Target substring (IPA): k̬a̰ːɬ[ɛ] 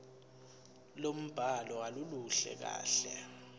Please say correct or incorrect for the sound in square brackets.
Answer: correct